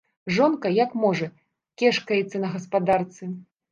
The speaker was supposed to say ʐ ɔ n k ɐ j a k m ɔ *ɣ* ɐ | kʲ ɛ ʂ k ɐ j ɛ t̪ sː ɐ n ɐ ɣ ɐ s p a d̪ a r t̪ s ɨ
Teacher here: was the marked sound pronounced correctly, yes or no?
no